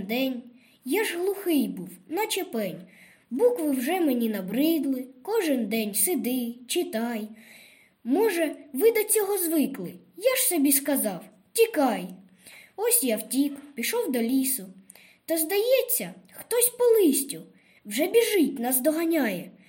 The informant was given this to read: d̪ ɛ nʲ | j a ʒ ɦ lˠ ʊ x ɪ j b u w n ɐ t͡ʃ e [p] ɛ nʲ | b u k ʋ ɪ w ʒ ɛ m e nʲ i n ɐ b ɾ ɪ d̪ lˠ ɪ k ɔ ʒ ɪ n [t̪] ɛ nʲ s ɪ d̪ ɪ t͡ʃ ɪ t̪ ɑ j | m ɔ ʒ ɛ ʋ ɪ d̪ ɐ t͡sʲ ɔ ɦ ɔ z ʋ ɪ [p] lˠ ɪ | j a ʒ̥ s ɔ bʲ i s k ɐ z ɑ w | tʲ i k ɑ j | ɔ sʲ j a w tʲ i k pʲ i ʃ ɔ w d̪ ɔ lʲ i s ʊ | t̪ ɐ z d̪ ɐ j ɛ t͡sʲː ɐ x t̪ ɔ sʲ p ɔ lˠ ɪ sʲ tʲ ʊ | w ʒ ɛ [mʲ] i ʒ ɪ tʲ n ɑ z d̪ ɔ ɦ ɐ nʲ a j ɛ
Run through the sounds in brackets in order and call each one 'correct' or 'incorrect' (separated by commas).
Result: correct, incorrect, incorrect, incorrect